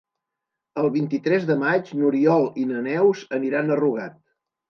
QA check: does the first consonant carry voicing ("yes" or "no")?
yes